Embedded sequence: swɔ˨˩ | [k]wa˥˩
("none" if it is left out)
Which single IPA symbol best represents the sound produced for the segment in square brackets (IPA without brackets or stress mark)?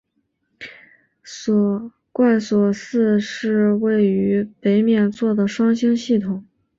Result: k